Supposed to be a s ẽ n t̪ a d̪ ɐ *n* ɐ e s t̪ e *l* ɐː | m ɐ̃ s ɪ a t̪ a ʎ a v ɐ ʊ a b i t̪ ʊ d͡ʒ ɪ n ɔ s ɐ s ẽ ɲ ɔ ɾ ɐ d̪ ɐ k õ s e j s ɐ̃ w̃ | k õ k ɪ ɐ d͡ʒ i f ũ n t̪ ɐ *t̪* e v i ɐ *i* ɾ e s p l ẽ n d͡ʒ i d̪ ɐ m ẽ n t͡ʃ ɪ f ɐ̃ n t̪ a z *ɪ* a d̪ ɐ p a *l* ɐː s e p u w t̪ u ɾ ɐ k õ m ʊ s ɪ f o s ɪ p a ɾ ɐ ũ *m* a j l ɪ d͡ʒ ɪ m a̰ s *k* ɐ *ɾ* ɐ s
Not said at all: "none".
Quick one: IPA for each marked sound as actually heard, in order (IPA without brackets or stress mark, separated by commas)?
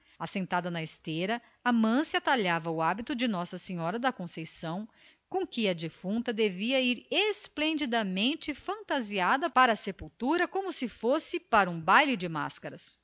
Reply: n, ɾ, d̪, i, i, ɾ, b, k, ɾ